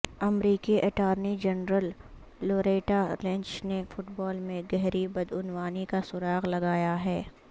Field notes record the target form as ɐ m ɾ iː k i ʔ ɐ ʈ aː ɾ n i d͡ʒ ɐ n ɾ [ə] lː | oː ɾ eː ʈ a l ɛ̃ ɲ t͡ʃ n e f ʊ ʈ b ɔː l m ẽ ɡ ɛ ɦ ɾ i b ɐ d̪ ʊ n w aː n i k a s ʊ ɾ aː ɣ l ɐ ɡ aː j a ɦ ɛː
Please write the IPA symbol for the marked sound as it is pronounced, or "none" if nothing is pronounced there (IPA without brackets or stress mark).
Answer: ə